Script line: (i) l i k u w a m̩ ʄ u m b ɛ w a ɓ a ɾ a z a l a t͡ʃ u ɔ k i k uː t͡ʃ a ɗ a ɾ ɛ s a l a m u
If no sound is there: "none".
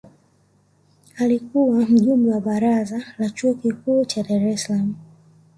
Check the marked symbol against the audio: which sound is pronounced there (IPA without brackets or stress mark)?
a